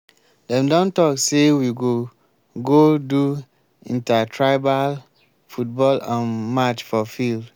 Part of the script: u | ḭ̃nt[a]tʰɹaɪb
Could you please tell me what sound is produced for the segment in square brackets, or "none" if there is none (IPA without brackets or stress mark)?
a